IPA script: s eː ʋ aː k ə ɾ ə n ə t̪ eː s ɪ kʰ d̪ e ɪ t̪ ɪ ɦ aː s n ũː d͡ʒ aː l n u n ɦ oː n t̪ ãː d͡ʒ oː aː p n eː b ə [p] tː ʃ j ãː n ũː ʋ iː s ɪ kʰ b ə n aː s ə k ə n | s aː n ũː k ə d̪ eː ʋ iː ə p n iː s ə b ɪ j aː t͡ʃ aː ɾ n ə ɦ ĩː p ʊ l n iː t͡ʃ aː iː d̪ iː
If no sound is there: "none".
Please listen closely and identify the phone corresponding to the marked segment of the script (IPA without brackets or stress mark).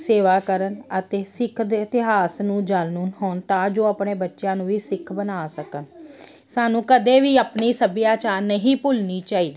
none